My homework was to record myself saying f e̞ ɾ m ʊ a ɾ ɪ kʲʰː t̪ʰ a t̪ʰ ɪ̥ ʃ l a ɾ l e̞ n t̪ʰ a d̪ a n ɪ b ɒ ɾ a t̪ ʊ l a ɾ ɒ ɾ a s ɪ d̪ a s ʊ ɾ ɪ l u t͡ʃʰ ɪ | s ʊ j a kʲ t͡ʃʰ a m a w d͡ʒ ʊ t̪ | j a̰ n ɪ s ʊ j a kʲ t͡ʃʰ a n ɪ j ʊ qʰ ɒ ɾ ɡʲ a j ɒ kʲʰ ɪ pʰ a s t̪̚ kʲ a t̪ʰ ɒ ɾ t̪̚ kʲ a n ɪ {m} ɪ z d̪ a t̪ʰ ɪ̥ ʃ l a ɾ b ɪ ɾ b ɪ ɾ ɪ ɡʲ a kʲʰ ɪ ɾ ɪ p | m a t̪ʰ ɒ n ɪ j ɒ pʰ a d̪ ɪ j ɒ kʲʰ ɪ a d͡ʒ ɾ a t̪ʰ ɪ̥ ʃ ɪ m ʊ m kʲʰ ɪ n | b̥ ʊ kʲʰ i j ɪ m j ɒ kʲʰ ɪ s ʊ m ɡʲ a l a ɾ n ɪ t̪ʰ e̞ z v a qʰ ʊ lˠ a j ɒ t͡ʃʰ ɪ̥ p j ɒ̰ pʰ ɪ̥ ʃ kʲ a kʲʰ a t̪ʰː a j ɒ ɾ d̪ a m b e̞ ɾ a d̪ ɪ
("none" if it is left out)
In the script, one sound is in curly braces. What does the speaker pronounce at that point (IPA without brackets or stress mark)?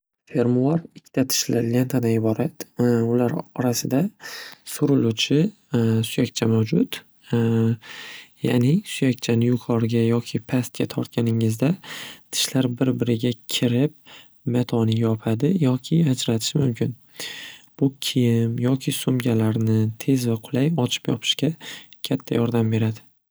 ŋ